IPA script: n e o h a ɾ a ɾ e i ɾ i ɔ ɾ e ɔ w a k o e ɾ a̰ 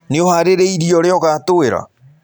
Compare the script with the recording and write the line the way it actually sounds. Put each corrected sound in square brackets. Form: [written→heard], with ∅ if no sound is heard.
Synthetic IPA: n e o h a ɾ [a→e] ɾ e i ɾ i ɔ ɾ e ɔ [w→ɣ] a [k→t] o e ɾ a̰